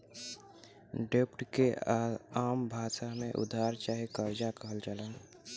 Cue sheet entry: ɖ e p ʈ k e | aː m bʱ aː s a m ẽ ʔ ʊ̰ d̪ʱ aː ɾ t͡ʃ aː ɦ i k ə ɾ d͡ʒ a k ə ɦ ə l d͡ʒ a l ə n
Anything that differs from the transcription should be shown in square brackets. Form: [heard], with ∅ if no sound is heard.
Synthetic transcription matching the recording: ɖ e p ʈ k e | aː m bʱ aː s a m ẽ ʔ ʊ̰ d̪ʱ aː ɾ t͡ʃ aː ɦ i k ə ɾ d͡ʒ a k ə ɦ ə l d͡ʒ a l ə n

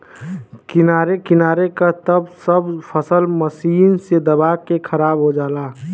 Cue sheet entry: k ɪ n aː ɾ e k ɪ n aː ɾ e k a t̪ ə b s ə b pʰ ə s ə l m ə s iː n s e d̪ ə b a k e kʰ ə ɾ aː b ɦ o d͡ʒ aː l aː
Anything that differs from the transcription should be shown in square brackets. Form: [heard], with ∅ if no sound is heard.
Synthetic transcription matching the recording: k ɪ n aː ɾ e k ɪ n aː ɾ e k a t̪ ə b s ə b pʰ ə s ə l m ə s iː n s e d̪ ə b a k e kʰ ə ɾ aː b ɦ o d͡ʒ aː l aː

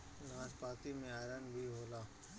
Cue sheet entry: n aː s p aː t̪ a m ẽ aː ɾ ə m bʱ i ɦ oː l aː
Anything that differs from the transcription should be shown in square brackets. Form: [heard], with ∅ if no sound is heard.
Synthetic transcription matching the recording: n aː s p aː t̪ [i] m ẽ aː ɾ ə [n] bʱ i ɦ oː l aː

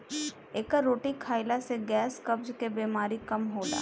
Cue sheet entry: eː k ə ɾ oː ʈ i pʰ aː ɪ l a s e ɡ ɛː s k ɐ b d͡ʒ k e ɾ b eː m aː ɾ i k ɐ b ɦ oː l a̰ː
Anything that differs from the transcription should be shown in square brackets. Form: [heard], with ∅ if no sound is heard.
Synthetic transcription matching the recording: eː k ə ɾ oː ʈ i [kʰ] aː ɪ l a s e ɡ ɛː s k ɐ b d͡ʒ k e [∅] b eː m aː ɾ i k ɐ [m] ɦ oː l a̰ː

